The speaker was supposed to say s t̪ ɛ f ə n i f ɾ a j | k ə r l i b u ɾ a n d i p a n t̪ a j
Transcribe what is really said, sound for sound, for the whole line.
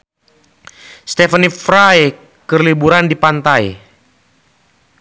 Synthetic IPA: s t̪ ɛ f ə n i f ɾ a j | k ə r l i b u ɾ a n d i p a n t̪ a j

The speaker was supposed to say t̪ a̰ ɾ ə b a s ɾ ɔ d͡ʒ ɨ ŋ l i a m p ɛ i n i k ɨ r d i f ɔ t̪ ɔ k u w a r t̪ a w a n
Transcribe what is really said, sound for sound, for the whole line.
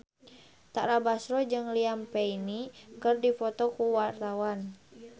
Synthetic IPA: t̪ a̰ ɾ a b a s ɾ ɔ d͡ʒ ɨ ŋ l i a m p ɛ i n i k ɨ r d i f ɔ t̪ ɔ k u w a r t̪ a w a n

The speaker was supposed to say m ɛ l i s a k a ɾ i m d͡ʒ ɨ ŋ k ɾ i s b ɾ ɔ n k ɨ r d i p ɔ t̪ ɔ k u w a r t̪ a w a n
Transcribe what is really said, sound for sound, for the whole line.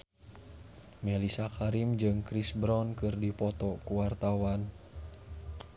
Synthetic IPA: m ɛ l i s a k a ɾ i m d͡ʒ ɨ ŋ k ɾ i s b ɾ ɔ n k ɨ r d i p ɔ t̪ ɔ k u w a r t̪ a w a n

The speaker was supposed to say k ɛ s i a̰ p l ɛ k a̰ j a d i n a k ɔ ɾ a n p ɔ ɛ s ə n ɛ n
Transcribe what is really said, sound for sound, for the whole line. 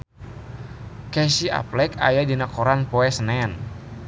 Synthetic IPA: k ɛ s i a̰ p l ɛ k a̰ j a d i n a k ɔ ɾ a n p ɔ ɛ s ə n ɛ n

